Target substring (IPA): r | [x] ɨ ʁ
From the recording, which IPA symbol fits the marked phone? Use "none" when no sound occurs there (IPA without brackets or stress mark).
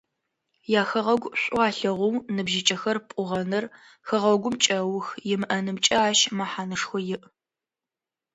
x